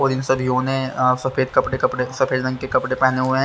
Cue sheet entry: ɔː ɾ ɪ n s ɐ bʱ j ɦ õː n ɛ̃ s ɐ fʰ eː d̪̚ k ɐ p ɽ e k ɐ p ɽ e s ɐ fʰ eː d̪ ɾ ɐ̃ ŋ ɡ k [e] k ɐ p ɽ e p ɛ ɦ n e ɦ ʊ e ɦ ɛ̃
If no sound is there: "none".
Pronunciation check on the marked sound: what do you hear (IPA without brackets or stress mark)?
e